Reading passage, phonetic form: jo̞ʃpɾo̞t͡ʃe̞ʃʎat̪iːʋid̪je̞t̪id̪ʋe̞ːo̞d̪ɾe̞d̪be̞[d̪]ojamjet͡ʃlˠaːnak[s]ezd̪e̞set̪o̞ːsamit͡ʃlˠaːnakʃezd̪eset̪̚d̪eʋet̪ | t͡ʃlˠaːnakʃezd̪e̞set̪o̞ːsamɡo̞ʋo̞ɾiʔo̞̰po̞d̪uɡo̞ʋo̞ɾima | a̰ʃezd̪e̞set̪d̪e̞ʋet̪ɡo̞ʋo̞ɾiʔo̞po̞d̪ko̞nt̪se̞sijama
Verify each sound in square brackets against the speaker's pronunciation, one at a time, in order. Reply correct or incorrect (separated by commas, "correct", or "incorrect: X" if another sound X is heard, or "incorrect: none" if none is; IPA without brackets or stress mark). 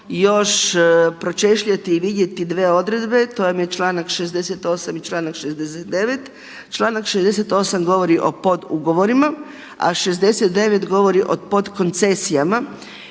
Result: incorrect: t̪, incorrect: ʃ